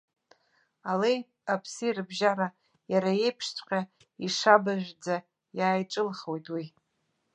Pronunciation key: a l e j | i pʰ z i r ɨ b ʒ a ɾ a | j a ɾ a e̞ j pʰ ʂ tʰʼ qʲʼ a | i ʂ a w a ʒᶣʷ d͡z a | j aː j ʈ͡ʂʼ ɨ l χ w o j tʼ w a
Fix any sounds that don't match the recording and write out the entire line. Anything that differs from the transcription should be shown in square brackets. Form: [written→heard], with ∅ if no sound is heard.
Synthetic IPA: a l e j | [i→a] pʰ [z→s] i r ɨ b ʒ a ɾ a | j a ɾ a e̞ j pʰ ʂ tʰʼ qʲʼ a | i ʂ a [w→b] a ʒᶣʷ d͡z a | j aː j ʈ͡ʂʼ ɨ l χ w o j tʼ w [a→i]